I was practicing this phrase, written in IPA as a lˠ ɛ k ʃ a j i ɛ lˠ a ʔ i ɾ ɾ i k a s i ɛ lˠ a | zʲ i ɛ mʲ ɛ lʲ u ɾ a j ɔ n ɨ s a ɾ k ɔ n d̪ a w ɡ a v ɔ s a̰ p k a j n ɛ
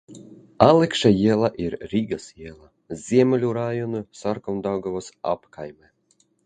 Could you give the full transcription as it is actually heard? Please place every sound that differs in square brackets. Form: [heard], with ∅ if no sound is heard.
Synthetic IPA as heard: a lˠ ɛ k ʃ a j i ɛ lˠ a ʔ i ɾ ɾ i [ɡ] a s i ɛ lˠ a | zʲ i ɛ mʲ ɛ lʲ u ɾ a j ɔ n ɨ s a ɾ k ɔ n d̪ a w ɡ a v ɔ s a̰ p k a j [m] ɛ